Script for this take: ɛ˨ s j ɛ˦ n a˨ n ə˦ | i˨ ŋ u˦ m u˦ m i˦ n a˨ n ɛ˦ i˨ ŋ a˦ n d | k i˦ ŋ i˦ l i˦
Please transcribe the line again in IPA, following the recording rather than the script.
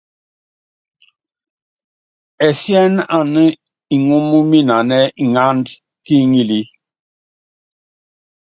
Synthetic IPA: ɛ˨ s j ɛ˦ n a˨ n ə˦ | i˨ ŋ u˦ m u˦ m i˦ n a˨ n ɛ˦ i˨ ŋ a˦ n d | k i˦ ŋ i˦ l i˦